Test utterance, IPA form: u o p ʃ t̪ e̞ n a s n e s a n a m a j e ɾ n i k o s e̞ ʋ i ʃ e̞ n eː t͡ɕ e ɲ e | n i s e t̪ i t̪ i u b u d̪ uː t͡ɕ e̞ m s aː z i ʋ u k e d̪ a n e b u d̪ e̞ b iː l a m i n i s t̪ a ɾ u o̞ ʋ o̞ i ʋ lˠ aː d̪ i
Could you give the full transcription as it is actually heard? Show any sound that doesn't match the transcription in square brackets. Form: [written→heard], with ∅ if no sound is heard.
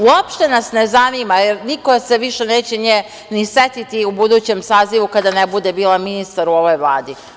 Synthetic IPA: u o p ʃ t̪ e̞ n a s n e [s→z] a n [a→i] m a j e ɾ n i k o s e̞ ʋ i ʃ e̞ n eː t͡ɕ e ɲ e | n i s e t̪ i t̪ i u b u d̪ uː t͡ɕ e̞ m s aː z i ʋ u k [e→a] d̪ a n e b u d̪ e̞ b iː l a m i n i s t̪ a ɾ u o̞ ʋ o̞ [i→j] ʋ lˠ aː d̪ i